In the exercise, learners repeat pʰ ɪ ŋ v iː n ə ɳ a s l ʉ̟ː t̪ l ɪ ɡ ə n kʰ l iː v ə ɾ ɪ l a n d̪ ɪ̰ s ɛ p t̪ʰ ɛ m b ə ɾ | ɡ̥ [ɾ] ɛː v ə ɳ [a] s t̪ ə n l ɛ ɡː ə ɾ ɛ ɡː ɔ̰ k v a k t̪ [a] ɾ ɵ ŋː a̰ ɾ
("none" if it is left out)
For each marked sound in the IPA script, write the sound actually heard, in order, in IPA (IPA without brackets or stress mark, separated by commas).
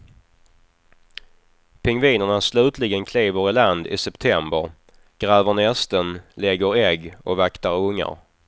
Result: ɾ, ɛ, a